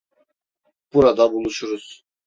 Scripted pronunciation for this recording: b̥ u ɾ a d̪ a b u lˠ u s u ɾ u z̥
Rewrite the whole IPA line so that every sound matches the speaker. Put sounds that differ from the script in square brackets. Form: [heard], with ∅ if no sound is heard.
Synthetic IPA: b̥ u ɾ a d̪ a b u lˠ u [ʃ] u ɾ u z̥